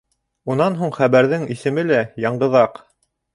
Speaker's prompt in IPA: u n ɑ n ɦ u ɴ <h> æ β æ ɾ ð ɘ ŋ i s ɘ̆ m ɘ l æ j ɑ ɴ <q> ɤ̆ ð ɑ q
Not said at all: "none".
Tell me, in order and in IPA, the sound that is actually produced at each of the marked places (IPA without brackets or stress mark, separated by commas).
χ, ɢ